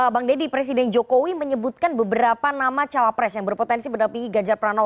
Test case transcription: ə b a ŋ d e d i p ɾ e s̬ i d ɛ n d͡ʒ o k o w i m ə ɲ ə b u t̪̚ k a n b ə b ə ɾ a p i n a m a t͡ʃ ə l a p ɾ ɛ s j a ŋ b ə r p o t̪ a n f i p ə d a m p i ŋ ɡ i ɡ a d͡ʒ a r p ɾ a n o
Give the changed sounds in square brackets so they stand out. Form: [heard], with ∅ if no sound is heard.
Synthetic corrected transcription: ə b a ŋ d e d i p ɾ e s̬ i d ɛ n d͡ʒ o k o w i m ə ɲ ə b u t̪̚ k a n b ə b ə ɾ a p [a] n a m a t͡ʃ [a] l a p ɾ ɛ s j a ŋ b ə r p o t̪ [ɛ] n [s] i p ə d a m p i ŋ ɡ i ɡ a d͡ʒ a r p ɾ a n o